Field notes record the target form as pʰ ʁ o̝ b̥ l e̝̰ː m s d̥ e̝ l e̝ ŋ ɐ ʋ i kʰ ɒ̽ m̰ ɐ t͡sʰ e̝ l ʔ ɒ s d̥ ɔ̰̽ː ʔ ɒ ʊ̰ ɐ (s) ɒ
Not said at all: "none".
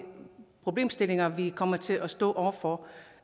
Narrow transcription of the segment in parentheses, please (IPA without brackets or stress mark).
f